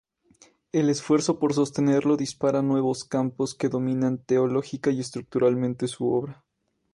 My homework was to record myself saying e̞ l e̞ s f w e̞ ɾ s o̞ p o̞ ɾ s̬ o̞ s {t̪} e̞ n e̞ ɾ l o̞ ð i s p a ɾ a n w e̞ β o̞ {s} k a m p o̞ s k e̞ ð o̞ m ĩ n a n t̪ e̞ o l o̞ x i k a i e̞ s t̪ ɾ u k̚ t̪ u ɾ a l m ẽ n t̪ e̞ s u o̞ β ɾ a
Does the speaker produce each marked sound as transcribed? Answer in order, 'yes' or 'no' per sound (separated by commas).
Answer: yes, yes